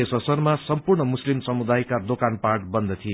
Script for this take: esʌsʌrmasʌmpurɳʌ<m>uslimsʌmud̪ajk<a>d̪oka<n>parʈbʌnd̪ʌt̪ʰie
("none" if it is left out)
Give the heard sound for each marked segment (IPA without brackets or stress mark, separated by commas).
m, a, n